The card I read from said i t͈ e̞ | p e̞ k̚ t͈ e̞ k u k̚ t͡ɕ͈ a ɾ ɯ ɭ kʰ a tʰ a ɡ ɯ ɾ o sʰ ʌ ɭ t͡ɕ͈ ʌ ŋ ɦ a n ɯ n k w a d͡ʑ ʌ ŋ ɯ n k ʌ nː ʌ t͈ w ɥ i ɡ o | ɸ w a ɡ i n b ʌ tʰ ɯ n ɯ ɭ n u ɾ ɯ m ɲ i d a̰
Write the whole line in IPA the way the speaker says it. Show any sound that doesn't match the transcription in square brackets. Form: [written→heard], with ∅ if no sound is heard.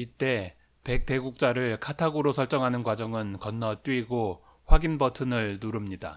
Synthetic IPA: i t͈ e̞ | p e̞ k̚ t͈ e̞ [k→ɡ] u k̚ t͡ɕ͈ a ɾ ɯ ɭ kʰ a tʰ a ɡ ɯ ɾ o sʰ ʌ ɭ t͡ɕ͈ ʌ ŋ ɦ a n ɯ n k w a d͡ʑ ʌ ŋ ɯ n k ʌ nː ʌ t͈ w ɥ i ɡ o | ɸ w a ɡ i n b ʌ tʰ ɯ n ɯ ɭ n u ɾ ɯ m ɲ i d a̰